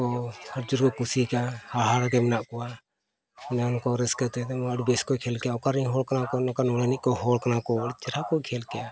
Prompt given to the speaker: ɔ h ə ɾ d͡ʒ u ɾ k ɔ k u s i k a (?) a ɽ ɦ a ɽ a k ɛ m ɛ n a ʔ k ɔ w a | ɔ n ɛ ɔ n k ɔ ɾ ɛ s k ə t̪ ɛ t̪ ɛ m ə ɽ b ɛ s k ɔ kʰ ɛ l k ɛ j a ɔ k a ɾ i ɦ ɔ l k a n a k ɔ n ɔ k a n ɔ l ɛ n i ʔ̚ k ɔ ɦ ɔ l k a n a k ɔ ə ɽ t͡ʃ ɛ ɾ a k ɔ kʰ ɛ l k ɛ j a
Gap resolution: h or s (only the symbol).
h